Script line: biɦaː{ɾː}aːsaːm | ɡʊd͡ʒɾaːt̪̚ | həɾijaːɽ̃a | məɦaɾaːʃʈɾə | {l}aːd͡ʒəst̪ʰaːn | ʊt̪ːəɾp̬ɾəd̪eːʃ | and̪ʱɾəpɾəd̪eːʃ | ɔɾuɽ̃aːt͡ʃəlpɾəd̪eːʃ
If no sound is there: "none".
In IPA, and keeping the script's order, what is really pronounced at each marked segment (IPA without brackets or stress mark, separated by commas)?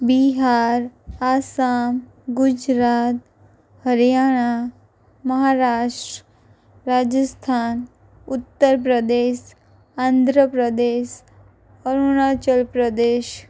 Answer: ɾ, ɾ